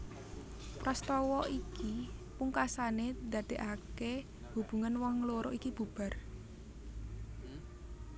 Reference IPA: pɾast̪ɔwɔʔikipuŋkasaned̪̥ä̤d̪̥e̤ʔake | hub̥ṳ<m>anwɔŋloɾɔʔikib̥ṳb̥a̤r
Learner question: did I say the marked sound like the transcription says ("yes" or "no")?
no